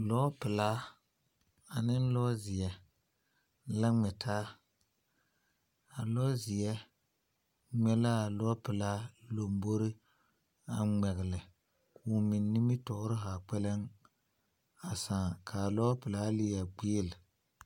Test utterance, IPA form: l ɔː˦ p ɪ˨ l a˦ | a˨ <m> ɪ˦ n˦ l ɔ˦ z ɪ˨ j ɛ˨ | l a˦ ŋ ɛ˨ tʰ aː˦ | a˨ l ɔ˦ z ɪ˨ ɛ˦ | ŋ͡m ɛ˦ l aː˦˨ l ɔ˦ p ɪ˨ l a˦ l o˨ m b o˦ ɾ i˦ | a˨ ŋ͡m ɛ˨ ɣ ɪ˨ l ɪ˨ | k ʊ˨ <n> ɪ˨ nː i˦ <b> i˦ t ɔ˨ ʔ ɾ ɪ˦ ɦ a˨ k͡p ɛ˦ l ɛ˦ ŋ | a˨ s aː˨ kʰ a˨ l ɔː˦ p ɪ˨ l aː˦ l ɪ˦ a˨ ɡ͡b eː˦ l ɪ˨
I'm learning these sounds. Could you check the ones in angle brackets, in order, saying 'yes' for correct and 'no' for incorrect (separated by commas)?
no, no, no